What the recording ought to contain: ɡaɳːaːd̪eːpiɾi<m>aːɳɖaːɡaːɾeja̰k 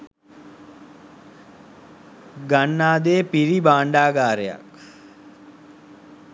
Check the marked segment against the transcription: incorrect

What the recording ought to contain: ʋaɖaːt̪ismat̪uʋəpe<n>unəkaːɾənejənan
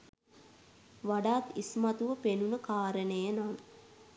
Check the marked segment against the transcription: correct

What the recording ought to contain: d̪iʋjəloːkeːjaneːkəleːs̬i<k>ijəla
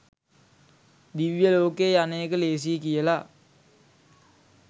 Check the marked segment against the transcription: correct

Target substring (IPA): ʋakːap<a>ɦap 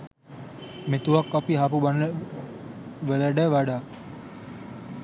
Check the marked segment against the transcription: incorrect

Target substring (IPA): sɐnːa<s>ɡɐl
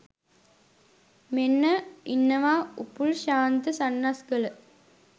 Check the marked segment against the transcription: correct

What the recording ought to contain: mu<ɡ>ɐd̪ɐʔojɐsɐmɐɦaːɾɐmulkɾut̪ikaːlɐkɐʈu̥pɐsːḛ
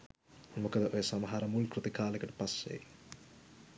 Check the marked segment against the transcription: incorrect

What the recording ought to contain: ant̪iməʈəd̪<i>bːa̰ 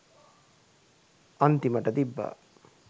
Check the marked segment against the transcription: correct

